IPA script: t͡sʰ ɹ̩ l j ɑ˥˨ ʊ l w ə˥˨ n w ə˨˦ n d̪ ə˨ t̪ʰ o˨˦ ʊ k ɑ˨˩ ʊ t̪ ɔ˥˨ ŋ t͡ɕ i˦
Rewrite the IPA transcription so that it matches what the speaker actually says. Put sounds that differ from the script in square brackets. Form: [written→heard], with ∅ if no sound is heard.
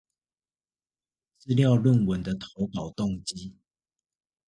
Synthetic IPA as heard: [t͡sʰ→t͡s] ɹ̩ l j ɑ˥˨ ʊ l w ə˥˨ n w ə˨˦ n d̪ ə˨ t̪ʰ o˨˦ ʊ k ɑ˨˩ ʊ t̪ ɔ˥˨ ŋ t͡ɕ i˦